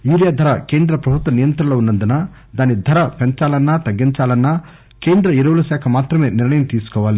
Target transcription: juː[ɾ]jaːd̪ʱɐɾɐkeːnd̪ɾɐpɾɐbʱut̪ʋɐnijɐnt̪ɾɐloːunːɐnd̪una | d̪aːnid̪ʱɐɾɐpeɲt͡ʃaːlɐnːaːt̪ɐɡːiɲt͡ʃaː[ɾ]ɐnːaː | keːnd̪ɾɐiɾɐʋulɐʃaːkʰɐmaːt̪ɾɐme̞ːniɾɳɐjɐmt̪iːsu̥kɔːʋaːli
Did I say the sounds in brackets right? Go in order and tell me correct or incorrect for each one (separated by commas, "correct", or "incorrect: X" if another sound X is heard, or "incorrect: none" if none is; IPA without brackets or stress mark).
correct, incorrect: l